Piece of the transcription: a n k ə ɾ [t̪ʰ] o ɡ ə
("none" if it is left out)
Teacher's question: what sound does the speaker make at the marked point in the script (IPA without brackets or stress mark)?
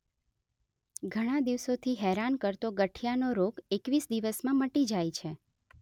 t̪